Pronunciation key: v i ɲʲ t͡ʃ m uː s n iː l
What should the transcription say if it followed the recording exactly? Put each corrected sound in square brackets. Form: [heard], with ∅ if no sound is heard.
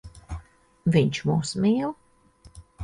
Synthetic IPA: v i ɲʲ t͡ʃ m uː s [m] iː l